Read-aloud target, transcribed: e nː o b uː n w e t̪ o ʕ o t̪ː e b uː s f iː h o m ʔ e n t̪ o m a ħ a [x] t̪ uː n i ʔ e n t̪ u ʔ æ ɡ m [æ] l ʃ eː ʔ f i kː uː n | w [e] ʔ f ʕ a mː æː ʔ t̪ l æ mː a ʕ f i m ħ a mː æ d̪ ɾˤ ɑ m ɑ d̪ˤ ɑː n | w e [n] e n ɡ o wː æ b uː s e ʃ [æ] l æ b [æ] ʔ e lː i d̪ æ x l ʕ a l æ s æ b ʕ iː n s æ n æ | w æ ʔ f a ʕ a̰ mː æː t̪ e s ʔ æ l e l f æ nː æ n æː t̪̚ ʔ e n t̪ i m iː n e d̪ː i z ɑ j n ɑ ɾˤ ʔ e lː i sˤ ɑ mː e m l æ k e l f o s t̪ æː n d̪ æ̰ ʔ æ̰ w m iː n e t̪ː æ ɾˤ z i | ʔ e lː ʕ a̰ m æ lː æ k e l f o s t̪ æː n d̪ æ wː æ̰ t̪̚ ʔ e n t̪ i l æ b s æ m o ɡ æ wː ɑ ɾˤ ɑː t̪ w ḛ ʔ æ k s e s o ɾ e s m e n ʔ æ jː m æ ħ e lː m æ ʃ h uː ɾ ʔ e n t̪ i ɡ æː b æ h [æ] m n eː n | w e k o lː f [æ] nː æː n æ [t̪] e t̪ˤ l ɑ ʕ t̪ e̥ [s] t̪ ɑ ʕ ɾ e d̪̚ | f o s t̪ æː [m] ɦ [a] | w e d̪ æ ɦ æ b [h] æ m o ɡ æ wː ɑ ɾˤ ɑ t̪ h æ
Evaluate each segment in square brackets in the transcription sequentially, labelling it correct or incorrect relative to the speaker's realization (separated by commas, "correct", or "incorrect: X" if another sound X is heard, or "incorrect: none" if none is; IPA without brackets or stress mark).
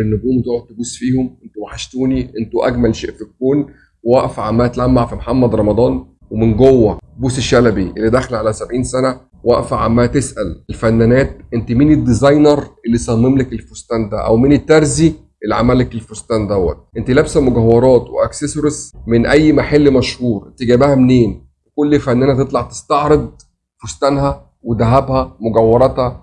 incorrect: ʃ, correct, incorrect: æ, incorrect: m, correct, incorrect: i, correct, correct, correct, correct, incorrect: n, incorrect: æ, correct